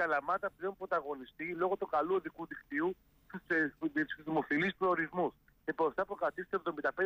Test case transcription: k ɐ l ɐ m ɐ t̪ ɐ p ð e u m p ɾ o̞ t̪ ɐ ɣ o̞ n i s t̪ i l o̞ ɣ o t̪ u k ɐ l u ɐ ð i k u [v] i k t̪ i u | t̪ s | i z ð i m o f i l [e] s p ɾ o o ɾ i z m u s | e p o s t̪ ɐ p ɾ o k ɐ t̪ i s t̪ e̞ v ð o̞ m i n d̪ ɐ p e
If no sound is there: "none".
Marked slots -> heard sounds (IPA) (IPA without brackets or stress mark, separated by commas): ð, i